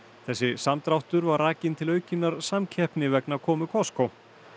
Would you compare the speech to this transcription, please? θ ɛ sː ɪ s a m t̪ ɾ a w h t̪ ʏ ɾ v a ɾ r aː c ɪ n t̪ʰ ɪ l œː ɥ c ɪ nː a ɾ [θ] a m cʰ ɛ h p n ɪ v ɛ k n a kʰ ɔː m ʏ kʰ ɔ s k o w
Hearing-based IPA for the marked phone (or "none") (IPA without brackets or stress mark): s